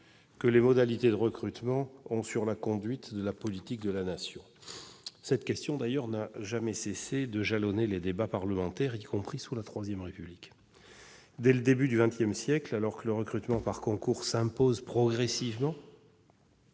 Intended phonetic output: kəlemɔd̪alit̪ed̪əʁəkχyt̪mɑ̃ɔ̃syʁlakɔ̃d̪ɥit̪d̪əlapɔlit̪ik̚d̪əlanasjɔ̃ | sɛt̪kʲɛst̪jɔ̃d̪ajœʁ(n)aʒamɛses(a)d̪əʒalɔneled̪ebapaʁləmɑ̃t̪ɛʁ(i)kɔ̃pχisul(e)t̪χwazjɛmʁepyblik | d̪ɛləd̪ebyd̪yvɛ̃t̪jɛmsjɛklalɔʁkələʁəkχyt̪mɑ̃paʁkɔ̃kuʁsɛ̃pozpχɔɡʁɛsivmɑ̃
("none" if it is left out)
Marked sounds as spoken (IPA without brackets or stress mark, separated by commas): n, e, i, a